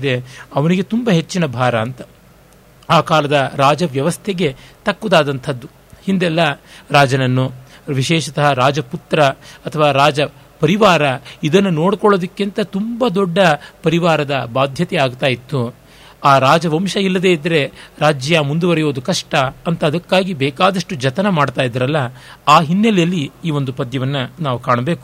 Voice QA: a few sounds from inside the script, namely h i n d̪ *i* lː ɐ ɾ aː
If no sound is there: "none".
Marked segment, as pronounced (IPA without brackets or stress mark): ɛ